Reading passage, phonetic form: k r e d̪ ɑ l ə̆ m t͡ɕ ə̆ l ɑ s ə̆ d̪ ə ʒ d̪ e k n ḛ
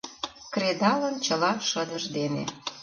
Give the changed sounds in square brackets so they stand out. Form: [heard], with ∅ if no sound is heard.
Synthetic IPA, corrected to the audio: k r e d̪ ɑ l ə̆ [n] t͡ɕ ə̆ l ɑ [ʃ] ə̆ d̪ ə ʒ d̪ e [∅] n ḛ